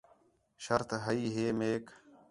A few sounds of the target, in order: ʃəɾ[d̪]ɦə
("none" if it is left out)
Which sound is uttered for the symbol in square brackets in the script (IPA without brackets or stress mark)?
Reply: t̪